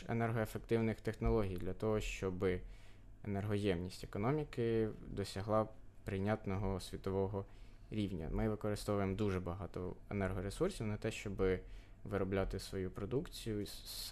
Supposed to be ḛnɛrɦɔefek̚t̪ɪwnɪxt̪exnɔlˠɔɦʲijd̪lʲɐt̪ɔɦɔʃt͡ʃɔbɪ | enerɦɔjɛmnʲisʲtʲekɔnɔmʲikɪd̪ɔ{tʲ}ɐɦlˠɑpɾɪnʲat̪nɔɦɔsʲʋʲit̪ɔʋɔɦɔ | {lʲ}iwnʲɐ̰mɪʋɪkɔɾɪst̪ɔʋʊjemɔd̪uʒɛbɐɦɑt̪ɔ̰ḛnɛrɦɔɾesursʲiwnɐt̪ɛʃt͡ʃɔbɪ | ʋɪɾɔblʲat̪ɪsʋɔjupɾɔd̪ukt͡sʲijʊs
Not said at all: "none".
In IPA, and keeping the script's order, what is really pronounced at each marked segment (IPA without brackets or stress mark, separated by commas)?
sʲ, ɾʲ